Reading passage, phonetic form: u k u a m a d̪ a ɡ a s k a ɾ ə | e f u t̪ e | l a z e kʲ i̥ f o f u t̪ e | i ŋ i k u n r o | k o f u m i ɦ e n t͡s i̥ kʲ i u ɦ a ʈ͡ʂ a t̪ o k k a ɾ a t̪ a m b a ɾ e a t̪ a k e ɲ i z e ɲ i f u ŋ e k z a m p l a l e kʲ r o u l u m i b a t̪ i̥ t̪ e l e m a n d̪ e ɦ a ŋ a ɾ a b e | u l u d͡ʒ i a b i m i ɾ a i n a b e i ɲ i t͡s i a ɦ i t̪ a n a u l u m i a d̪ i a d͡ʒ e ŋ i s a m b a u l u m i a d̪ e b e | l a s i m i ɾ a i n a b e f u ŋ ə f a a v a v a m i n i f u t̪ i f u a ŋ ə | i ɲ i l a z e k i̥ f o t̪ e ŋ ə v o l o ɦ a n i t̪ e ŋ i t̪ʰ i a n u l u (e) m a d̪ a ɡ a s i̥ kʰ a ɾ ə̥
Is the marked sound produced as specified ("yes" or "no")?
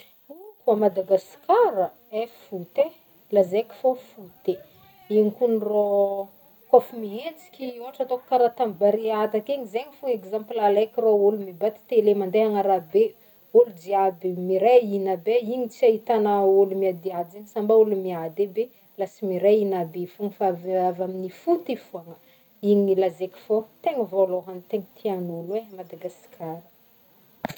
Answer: yes